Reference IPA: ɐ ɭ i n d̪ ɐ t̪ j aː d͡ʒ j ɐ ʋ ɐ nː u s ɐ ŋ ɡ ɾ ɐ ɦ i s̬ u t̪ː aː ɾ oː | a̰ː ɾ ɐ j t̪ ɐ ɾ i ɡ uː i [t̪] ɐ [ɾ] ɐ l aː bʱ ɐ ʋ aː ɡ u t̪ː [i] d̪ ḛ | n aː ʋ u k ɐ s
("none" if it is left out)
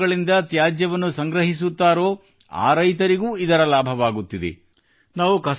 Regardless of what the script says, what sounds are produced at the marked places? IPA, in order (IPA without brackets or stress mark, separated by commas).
d̪, ɾ, i